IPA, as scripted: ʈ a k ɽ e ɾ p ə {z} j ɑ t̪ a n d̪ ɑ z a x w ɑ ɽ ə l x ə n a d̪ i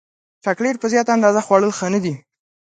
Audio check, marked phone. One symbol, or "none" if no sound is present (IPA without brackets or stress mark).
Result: z